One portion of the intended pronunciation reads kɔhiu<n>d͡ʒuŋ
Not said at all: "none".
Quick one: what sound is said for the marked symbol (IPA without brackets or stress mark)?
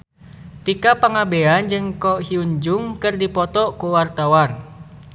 ɲ